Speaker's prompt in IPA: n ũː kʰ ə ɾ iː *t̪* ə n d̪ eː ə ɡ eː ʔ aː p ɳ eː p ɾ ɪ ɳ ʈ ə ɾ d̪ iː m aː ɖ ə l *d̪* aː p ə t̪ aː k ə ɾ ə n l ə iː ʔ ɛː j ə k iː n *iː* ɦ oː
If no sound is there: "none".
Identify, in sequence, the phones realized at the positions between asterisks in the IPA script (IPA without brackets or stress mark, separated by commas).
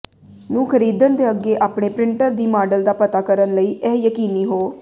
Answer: d̪, d̪, iː